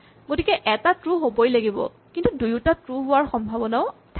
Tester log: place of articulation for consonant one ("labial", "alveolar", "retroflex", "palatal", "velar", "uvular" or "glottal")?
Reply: velar